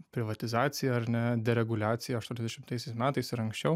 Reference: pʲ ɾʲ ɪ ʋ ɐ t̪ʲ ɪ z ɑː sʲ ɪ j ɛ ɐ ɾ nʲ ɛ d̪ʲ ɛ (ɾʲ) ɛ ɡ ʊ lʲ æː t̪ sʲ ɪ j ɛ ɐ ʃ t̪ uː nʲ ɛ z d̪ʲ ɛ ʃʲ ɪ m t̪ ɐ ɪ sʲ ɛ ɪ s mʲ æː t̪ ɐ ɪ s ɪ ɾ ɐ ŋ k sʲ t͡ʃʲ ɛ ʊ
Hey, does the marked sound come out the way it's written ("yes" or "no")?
yes